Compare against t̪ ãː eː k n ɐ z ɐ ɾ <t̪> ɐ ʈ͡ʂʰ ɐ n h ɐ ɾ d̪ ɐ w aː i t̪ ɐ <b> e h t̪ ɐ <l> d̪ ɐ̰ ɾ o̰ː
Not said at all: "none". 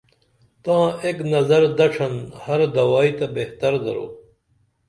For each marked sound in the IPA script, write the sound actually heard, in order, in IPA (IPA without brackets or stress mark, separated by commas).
d̪, b, ɾ